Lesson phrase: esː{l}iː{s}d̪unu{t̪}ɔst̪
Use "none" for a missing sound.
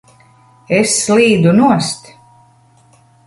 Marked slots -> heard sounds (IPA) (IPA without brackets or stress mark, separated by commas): l, none, none